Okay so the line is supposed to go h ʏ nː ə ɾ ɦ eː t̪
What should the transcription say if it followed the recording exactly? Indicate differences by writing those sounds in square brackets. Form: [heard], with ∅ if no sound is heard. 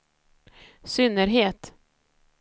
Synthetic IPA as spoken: [s] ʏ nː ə ɾ ɦ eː t̪